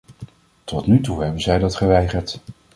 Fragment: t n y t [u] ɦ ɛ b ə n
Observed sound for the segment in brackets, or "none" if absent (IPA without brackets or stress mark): u